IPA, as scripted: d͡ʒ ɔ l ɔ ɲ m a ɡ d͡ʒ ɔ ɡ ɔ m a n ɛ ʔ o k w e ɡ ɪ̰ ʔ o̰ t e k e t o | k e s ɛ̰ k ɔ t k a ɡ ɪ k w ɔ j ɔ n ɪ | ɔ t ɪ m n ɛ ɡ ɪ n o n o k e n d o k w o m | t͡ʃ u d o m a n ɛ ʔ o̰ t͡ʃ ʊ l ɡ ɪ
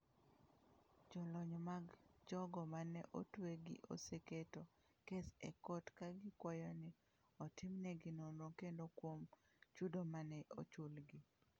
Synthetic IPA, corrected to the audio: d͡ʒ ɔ l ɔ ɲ m a ɡ d͡ʒ ɔ ɡ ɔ m a n ɛ ʔ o t w e ɡ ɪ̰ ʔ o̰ s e k e t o | k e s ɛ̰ k ɔ t k a ɡ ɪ k w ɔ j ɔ n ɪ | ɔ t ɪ m n ɛ ɡ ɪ n o n o k e n d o k w o m | t͡ʃ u d o m a n ɛ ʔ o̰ t͡ʃ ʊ l ɡ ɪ